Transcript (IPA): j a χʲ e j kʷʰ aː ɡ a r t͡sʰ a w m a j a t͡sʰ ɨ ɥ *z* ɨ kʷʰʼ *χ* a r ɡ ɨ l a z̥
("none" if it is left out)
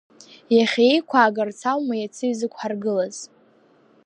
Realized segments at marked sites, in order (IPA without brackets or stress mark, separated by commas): z, ħ